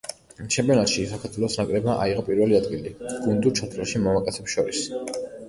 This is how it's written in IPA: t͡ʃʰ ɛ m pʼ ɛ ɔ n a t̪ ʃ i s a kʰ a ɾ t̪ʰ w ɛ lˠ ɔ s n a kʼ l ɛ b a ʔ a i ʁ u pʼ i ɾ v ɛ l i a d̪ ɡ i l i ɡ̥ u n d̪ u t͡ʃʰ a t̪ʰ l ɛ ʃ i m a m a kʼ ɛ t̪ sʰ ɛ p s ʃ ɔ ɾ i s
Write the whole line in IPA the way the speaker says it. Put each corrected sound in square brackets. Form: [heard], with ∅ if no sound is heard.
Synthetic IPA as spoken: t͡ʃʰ ɛ m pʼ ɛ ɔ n a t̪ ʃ i s a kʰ a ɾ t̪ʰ w ɛ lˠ ɔ s n a kʼ [ɾ] ɛ b a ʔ a i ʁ [ɔ] pʼ i ɾ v ɛ l i a d̪ ɡ i l i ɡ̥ u n d̪ u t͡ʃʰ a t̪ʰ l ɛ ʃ i m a m a kʼ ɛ t̪ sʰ ɛ p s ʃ ɔ ɾ i s